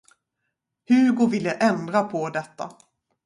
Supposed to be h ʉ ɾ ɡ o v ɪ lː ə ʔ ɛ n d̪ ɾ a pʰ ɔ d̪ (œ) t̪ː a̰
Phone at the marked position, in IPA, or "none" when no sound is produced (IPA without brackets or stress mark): ɛ